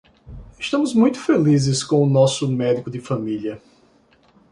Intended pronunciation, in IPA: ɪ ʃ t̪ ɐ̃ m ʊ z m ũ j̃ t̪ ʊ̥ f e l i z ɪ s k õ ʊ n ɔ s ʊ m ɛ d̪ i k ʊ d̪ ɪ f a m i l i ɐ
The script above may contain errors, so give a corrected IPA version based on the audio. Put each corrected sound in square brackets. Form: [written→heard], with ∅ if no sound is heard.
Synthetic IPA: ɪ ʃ t̪ ɐ̃ m ʊ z m ũ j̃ t̪ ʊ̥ f e l i z ɪ s k õ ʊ n ɔ s ʊ m ɛ d̪ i k ʊ d̪ ɪ f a m i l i ɐ